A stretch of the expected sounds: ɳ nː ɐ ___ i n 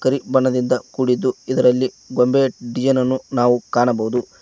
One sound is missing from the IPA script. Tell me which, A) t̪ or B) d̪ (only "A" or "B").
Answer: B